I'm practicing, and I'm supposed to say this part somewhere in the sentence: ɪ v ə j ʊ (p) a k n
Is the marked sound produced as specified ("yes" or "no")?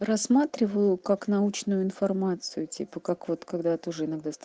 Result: no